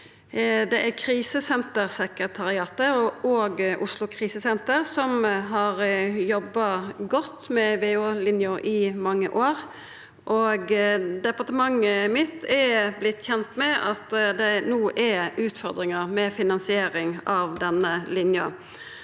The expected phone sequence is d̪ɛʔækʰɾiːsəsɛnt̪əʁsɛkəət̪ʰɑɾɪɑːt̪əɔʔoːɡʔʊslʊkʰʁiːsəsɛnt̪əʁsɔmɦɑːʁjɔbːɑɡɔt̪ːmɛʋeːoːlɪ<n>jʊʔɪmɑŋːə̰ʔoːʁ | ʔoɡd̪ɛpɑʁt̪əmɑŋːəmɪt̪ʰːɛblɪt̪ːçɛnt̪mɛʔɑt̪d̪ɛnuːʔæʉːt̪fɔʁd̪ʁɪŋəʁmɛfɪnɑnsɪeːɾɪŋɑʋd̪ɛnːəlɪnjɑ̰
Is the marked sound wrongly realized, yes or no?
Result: no